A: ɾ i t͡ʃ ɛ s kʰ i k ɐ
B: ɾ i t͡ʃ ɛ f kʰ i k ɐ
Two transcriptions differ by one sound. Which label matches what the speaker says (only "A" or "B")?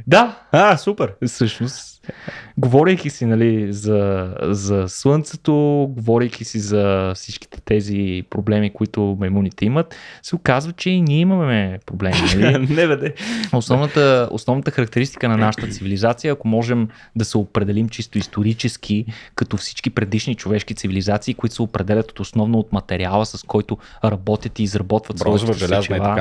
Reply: A